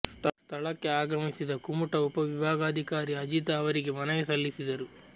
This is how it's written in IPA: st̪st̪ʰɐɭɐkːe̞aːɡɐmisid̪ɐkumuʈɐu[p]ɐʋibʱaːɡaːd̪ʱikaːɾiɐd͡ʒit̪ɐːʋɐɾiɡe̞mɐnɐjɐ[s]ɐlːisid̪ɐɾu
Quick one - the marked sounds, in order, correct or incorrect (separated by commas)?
correct, correct